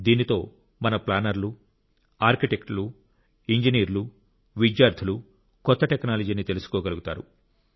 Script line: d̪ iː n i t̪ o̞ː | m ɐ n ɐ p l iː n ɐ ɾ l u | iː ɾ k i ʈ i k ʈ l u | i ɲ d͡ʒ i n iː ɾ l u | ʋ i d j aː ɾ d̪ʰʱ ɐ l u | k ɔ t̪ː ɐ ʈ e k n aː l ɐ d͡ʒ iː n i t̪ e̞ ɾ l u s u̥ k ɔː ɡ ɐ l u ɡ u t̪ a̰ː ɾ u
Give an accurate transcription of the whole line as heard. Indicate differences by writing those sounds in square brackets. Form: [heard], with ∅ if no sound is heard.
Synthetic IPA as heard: d̪ iː n i t̪ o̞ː | m ɐ n ɐ p l [aː] n ɐ ɾ l u | [aː] ɾ k i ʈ [e] k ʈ l u | i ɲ d͡ʒ i n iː ɾ l u | ʋ i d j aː ɾ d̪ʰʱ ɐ l u | k ɔ t̪ː ɐ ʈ e k n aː l ɐ d͡ʒ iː n i t̪ e̞ [∅] l u s u̥ k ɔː ɡ ɐ l u ɡ u t̪ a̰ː ɾ u